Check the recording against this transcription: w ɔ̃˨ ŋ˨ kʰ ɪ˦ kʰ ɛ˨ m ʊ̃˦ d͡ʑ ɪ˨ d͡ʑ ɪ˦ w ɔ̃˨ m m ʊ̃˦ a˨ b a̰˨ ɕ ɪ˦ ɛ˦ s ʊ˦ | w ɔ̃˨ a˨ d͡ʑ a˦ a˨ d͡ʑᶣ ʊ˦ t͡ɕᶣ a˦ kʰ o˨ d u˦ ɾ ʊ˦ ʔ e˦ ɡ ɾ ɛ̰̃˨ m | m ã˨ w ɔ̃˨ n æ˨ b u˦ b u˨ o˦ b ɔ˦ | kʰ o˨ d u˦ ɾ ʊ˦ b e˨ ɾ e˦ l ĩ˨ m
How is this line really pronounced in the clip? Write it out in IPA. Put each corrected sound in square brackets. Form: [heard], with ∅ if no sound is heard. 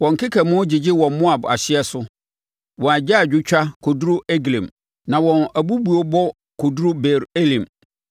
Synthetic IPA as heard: w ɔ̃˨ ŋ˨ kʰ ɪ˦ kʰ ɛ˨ m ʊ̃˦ d͡ʑ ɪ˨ d͡ʑ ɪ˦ w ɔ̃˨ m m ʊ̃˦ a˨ b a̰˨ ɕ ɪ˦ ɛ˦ s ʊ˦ | w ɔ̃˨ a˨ d͡ʑ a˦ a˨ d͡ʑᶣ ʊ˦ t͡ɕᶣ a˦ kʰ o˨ d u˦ ɾ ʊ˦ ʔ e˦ ɡ [l] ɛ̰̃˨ m | [n] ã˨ w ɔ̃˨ n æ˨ b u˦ b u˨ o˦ b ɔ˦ | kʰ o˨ d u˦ ɾ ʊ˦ b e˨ ɾ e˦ l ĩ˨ m